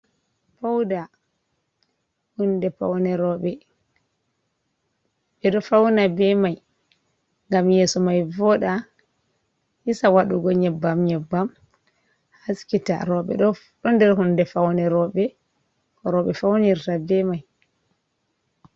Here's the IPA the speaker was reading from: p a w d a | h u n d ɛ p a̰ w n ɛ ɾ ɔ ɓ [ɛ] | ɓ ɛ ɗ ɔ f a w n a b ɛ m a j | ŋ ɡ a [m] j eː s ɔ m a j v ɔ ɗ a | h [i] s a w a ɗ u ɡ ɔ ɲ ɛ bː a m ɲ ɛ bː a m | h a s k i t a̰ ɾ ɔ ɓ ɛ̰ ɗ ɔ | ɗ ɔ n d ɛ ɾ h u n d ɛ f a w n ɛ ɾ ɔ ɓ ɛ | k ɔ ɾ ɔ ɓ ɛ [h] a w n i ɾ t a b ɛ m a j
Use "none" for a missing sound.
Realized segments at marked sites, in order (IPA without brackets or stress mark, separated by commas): ɛ, m, i, f